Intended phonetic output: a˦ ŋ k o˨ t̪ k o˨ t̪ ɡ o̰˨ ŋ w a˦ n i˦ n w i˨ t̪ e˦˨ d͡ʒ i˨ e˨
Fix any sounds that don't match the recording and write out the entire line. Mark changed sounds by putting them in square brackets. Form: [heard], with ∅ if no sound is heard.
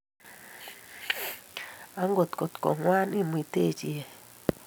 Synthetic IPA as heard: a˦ ŋ [ɡ] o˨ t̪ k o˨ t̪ [k] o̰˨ ŋ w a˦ n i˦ [m] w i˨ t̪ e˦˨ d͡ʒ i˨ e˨